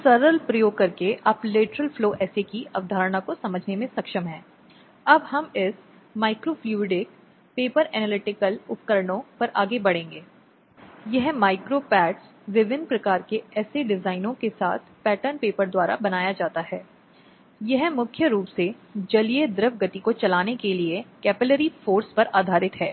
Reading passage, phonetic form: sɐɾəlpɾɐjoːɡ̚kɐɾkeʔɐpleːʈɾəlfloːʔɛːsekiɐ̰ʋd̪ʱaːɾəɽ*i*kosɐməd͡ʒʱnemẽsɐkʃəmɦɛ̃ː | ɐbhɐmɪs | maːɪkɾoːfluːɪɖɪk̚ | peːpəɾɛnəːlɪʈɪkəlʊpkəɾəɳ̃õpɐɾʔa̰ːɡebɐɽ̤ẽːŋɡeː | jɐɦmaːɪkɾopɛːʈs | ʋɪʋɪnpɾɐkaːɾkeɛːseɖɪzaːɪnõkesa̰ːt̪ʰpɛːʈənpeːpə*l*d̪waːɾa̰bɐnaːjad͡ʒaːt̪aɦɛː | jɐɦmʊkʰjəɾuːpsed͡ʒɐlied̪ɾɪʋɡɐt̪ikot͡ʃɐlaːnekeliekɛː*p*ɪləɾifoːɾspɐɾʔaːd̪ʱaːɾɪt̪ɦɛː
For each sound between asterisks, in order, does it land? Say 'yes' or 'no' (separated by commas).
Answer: no, no, yes